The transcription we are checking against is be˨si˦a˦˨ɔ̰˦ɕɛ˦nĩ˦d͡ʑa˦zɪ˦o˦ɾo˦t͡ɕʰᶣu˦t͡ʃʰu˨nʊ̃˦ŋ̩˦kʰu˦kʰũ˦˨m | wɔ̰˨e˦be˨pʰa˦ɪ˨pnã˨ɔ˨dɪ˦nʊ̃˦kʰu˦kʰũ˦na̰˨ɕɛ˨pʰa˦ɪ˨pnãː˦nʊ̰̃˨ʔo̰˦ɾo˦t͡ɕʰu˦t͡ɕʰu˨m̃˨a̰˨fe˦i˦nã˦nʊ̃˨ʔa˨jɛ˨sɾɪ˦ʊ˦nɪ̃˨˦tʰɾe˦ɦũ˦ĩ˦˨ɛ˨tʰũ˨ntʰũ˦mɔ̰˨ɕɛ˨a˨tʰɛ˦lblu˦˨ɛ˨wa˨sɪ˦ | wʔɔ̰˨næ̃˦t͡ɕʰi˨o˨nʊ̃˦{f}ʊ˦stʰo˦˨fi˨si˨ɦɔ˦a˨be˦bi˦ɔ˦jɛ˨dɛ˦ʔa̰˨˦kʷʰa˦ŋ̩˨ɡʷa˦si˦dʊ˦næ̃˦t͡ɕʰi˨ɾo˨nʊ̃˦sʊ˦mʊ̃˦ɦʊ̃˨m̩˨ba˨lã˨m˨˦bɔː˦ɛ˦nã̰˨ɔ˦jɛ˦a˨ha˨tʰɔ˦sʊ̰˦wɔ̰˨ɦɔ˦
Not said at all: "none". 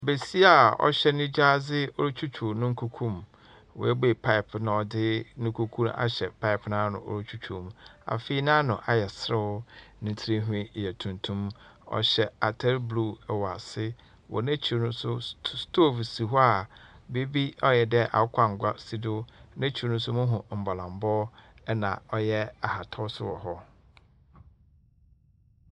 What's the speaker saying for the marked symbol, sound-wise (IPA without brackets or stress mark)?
s